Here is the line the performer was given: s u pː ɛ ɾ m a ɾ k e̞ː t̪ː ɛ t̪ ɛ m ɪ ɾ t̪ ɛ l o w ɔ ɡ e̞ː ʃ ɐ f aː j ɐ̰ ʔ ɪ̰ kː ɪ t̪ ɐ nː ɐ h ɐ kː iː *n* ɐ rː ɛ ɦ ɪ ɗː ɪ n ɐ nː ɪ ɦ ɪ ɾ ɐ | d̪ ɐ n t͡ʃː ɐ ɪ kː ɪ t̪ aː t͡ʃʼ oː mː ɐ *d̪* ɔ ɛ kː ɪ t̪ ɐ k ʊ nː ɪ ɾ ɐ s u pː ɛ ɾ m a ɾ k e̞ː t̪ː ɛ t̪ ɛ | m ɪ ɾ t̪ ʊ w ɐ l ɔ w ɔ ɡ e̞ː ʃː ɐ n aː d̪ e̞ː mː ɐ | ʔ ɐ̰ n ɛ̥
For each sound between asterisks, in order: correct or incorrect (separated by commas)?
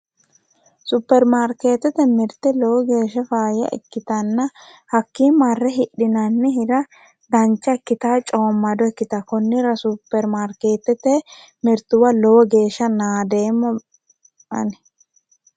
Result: incorrect, correct